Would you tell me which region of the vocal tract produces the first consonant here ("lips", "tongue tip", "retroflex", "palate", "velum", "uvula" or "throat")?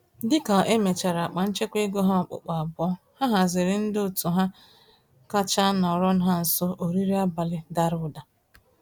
tongue tip